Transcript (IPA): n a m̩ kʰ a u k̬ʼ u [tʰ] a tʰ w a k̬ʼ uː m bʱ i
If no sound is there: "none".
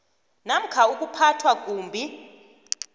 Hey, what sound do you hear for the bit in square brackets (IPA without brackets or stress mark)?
pʰ